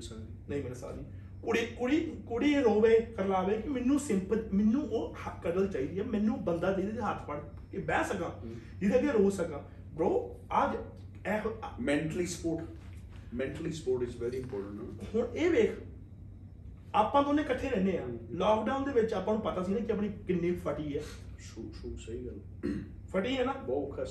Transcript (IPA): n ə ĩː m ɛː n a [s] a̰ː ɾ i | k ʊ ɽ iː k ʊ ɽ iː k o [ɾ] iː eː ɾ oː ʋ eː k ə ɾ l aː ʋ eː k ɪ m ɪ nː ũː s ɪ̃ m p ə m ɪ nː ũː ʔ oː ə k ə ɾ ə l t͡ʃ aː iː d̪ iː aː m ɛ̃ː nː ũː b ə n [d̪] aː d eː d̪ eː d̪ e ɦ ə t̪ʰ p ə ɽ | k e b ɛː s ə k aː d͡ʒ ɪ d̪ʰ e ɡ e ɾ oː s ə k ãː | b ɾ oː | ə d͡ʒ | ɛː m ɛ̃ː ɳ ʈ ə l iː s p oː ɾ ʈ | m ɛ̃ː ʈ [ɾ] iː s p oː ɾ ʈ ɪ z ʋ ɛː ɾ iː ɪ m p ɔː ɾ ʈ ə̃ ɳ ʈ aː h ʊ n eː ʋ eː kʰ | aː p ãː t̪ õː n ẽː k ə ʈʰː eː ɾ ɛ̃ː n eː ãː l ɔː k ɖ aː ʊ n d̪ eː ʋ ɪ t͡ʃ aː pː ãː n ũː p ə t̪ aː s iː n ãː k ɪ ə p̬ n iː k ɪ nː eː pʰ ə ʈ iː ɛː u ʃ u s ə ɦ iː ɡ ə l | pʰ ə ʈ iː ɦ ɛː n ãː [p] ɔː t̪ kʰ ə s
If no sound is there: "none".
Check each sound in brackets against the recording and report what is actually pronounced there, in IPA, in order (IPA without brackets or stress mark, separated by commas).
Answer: s, ɽ, d̪, l, b